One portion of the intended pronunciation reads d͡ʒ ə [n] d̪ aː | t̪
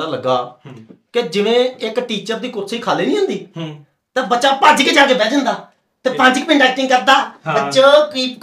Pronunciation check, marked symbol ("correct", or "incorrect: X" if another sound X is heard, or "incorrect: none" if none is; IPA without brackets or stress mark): correct